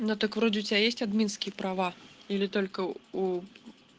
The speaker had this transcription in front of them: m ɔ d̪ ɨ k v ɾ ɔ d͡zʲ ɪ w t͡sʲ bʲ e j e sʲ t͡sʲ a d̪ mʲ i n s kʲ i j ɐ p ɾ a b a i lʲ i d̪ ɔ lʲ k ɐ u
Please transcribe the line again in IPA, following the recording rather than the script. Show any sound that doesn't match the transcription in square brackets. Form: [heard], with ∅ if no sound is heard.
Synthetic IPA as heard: [n] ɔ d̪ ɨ k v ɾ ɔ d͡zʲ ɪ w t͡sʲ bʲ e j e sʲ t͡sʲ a d̪ mʲ i n s kʲ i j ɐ p ɾ a [v] a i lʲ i [t̪] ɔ lʲ k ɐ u